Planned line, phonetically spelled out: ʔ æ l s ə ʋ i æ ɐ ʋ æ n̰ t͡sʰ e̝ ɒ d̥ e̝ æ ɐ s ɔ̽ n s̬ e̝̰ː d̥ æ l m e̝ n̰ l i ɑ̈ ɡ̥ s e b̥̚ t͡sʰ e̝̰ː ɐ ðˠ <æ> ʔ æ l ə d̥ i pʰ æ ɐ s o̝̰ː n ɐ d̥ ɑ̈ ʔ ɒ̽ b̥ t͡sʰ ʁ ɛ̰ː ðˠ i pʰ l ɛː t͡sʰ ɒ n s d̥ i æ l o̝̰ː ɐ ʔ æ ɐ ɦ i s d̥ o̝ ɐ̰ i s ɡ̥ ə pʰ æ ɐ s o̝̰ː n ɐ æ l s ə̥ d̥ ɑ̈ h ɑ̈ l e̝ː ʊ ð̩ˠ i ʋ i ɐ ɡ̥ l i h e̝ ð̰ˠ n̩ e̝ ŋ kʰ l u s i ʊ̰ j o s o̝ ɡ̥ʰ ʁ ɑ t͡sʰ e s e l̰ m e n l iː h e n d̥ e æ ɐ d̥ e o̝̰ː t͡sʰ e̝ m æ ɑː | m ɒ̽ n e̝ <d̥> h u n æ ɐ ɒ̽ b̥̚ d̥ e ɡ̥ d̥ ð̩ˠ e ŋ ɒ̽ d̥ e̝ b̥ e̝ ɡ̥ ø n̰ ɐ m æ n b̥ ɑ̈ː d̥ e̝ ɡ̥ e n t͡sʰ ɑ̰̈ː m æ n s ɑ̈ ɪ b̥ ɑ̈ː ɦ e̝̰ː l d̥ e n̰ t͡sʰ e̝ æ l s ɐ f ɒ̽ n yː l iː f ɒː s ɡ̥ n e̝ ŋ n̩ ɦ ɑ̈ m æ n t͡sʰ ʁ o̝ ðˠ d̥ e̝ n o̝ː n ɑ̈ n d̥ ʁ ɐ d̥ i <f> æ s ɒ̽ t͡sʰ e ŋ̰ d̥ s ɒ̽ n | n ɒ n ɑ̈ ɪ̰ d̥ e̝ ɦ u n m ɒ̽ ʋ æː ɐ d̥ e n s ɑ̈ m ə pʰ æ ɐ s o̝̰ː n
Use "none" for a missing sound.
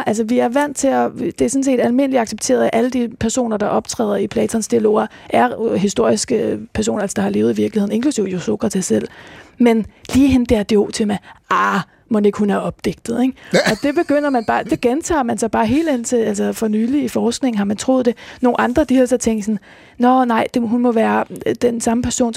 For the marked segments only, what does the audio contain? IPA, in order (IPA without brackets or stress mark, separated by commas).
æ, ɡ̥, h